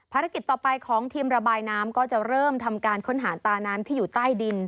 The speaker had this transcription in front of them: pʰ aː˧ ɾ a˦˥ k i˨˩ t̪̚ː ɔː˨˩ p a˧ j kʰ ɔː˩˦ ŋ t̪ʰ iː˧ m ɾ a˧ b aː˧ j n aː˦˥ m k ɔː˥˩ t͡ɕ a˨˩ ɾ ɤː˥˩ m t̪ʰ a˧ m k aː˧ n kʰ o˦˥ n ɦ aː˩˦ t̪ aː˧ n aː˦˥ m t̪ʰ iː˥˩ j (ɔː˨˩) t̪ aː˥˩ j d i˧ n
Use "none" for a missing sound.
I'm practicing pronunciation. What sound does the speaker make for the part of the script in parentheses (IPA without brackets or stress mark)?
uː˨˩